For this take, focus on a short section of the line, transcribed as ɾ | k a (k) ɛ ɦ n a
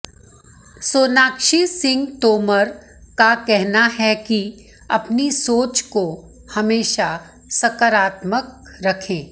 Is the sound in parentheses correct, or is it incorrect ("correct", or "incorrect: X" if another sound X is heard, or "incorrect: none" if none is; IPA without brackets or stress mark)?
correct